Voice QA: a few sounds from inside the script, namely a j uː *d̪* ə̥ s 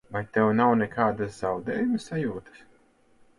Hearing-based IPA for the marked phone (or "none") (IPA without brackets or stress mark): t̪